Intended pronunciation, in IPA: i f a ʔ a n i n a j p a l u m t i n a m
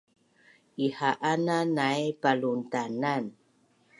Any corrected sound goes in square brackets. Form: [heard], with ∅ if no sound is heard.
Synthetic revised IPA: i [h] a ʔ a n [a] n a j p a l u [n] t [a] n a [n]